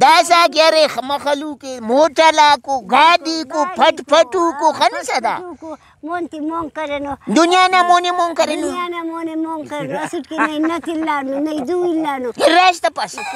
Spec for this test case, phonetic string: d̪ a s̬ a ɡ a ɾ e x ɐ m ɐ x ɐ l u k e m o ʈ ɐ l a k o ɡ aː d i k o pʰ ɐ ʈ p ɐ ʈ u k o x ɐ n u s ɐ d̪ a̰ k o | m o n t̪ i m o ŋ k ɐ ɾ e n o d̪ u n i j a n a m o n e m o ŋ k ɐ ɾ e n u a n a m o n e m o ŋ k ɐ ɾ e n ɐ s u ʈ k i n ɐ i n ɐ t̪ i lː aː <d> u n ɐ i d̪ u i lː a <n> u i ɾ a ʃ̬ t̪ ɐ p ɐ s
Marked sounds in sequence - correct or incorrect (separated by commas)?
incorrect, correct